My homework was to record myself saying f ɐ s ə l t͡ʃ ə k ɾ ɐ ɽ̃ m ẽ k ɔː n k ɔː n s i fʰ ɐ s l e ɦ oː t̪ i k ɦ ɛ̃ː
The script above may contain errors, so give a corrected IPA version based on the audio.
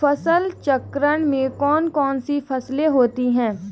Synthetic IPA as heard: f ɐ s ə l t͡ʃ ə k ɾ ə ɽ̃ m ẽ k ɔː n k ɔː n s i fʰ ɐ s l e ɦ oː t̪ i ɦ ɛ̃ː